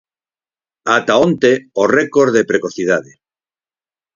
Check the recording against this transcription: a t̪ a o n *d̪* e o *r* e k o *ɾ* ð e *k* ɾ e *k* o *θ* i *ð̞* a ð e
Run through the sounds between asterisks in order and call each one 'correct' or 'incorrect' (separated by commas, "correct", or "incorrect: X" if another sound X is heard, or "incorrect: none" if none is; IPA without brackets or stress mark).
incorrect: t̪, correct, correct, incorrect: p, correct, correct, correct